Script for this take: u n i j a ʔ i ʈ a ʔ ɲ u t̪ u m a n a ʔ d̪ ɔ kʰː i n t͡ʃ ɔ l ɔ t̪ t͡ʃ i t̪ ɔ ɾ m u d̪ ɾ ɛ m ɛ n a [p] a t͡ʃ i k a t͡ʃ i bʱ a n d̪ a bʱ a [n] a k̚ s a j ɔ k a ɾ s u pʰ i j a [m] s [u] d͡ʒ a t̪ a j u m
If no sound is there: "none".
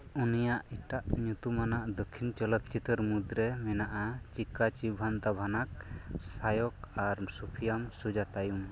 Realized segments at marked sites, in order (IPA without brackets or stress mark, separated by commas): ʔ, n, m, u